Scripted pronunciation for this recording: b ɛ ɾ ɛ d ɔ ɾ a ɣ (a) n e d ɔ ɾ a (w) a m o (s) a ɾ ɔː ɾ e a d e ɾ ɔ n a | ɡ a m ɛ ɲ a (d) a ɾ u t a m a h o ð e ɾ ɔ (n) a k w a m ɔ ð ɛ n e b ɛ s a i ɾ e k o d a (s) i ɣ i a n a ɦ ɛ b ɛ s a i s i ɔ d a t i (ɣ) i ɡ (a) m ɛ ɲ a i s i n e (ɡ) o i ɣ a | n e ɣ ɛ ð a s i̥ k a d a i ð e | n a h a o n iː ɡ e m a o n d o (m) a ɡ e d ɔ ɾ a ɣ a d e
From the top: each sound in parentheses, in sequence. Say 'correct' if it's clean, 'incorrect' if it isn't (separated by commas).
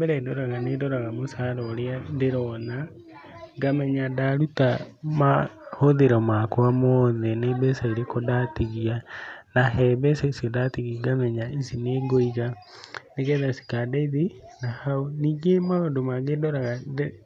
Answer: correct, incorrect, correct, correct, incorrect, incorrect, correct, correct, correct, correct